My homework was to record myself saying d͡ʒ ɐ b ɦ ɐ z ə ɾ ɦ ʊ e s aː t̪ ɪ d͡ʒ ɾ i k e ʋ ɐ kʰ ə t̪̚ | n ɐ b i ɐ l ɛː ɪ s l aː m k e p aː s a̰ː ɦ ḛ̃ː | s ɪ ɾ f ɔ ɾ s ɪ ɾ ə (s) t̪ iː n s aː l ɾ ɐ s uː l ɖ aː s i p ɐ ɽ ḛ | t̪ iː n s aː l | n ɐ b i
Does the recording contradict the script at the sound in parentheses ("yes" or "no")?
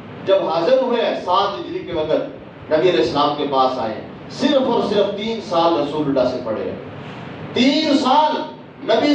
yes